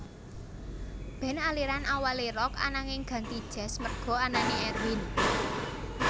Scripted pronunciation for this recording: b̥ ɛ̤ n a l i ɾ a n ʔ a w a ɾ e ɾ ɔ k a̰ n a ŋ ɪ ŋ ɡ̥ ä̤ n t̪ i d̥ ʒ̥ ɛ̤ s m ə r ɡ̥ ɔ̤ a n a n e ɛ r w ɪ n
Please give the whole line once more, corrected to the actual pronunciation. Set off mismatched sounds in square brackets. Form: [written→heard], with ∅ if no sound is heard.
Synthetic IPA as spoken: b̥ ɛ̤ n a l i ɾ a n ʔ a w a [ɾ→l] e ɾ ɔ k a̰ n a ŋ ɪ ŋ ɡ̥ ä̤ n t̪ i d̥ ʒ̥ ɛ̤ s m ə r ɡ̥ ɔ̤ a n a n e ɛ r w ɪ n